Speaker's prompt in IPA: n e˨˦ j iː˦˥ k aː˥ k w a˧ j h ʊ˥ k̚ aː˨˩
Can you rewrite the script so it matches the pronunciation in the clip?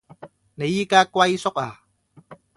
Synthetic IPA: n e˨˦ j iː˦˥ k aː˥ k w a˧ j s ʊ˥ k̚ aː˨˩